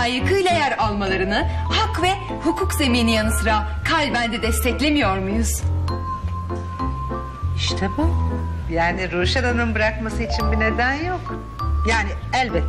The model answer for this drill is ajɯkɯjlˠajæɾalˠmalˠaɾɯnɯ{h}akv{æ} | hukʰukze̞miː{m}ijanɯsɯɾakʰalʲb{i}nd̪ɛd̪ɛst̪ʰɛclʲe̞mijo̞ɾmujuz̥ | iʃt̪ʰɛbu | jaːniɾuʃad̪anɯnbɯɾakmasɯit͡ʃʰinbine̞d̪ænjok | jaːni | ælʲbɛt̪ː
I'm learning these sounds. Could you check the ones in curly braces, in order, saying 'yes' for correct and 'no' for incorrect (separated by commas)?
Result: yes, no, no, no